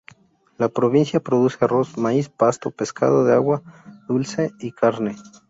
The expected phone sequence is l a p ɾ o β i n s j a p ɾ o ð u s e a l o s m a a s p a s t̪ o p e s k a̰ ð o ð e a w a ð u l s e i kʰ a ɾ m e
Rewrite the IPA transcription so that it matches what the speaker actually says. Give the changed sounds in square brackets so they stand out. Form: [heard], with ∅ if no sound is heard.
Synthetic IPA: l a p ɾ o β i n s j a p ɾ o ð u s e a [r] o s m a [i] s p a s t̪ o p e s k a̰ ð o ð e a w a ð u l s e i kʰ a ɾ [n] e